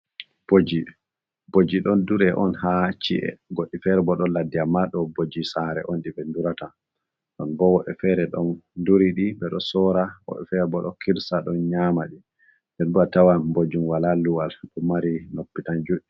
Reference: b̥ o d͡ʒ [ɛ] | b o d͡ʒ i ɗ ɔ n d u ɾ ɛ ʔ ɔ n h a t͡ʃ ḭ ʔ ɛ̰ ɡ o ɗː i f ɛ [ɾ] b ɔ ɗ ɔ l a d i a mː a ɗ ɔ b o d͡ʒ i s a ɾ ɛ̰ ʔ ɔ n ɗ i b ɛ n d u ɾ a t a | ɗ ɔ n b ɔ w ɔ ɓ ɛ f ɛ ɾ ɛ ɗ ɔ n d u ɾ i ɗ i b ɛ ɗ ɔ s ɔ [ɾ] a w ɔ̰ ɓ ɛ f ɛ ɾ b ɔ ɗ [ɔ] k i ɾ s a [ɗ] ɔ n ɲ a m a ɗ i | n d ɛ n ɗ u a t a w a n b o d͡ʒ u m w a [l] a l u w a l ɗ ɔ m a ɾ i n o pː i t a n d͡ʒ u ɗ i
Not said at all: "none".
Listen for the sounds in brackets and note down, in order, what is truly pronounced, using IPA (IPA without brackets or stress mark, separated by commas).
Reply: i, ɾ, ɾ, ɔ, ɗ, l